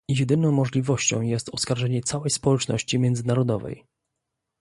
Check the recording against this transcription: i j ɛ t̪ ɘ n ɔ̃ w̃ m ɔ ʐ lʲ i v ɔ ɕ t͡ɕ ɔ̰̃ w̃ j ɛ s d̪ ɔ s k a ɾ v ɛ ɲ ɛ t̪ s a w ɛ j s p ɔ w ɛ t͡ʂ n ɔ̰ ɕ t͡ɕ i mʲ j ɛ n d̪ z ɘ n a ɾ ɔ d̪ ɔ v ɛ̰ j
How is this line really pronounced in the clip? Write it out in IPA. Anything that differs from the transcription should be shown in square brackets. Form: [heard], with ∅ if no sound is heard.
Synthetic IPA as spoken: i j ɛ [d̪] ɘ n ɔ̃ w̃ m ɔ ʐ lʲ i v ɔ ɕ t͡ɕ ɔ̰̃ w̃ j ɛ s [t̪] ɔ s k a ɾ [ʐ] ɛ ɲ ɛ t̪ s a w ɛ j s p ɔ w ɛ t͡ʂ n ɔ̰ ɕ t͡ɕ i mʲ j ɛ n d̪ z ɘ n a ɾ ɔ d̪ ɔ v ɛ̰ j